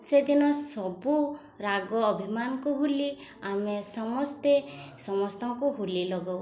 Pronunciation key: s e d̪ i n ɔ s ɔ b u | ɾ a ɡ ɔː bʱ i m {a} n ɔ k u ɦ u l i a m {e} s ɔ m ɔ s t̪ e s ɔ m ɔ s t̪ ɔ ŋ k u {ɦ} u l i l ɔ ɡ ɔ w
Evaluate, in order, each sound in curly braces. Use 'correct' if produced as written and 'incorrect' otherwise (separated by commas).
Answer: correct, correct, correct